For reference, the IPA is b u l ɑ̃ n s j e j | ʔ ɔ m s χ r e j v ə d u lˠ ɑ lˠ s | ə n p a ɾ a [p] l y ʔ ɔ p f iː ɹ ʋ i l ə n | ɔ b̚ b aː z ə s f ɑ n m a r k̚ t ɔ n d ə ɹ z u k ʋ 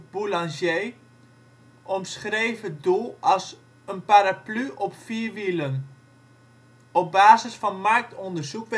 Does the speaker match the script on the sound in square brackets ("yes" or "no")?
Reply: yes